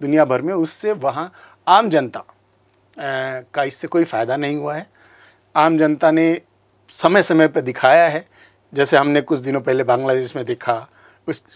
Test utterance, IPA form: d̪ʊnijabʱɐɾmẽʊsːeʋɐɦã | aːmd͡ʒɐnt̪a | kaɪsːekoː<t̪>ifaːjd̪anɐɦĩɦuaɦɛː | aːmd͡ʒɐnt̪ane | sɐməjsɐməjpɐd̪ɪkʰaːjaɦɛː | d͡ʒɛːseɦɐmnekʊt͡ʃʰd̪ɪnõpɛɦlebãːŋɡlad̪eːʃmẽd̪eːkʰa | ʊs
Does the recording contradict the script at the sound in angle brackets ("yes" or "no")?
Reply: yes